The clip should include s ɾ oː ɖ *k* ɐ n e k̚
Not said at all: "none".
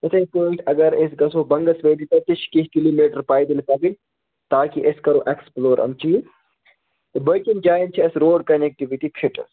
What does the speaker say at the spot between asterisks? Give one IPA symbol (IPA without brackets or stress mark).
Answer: k